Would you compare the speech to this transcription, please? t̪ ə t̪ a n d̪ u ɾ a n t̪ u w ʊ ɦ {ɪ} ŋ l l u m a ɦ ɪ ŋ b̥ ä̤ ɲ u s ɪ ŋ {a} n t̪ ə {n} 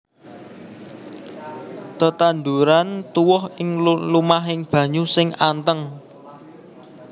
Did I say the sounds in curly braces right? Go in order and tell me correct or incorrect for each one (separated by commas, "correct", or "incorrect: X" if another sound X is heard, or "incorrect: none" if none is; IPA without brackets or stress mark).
correct, correct, incorrect: ŋ